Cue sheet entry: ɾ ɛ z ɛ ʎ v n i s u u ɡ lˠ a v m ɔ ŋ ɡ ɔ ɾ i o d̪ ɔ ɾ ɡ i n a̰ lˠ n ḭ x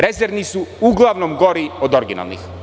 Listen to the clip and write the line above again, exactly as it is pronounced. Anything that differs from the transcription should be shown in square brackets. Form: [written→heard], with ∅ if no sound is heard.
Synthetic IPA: ɾ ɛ z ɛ [ʎ→ɾ] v n i s u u ɡ lˠ a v [m→n] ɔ [ŋ→m] ɡ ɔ ɾ i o d̪ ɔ ɾ ɡ i n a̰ lˠ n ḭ x